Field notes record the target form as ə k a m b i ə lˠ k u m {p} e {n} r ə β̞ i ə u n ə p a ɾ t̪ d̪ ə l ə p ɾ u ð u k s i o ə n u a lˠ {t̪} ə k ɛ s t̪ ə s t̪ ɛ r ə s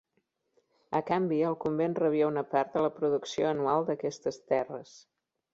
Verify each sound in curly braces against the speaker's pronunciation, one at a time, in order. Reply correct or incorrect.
incorrect: b, correct, incorrect: d̪

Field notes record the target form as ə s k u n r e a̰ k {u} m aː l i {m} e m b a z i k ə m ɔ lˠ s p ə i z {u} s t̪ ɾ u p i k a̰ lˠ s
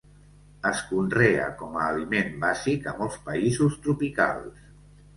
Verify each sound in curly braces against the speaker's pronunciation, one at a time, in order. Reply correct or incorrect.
incorrect: ɔ, correct, correct

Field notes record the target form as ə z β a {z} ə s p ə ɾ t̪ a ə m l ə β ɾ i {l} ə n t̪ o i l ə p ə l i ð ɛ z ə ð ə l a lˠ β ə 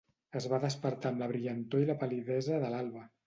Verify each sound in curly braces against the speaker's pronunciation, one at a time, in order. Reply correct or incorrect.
incorrect: ð, incorrect: ʎ

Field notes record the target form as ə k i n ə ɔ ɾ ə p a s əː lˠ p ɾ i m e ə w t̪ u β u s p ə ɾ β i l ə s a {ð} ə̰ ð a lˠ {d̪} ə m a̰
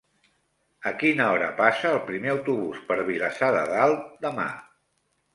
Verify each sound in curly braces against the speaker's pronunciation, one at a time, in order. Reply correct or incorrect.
correct, correct

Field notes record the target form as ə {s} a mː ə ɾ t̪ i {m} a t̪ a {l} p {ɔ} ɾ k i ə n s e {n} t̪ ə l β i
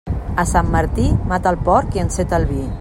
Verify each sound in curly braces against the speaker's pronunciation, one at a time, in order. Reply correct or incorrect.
correct, correct, correct, correct, incorrect: none

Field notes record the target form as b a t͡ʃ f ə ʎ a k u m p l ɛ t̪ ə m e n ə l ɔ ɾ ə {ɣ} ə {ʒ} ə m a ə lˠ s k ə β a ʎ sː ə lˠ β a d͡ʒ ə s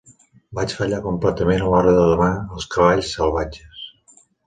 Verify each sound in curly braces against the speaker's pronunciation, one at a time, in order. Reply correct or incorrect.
incorrect: ð, incorrect: ð

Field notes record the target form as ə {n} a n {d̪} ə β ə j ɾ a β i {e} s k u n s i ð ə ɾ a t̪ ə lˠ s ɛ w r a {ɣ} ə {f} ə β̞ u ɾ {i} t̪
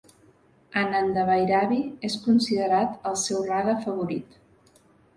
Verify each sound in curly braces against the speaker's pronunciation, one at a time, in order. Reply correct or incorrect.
correct, correct, correct, incorrect: ð, correct, correct

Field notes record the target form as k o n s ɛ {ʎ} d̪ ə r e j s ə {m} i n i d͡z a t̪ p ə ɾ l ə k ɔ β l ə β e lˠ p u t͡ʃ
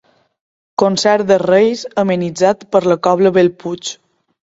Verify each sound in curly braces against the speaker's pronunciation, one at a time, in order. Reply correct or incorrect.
incorrect: ɾ, correct

